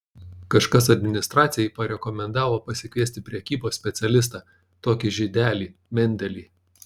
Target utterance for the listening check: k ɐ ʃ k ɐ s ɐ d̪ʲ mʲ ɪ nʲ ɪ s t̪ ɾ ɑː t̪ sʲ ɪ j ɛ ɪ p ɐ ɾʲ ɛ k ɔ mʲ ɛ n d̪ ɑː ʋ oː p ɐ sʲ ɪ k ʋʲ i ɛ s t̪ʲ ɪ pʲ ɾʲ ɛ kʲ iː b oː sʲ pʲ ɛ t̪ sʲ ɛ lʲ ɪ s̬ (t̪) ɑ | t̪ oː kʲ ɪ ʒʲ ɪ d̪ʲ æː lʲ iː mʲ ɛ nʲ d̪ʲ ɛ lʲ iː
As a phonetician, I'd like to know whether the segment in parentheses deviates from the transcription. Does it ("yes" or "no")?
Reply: no